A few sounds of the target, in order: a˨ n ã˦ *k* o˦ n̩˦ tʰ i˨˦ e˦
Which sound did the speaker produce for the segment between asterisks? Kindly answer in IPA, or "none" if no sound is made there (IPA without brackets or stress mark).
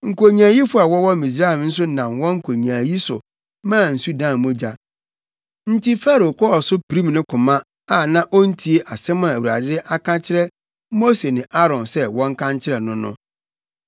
ʔ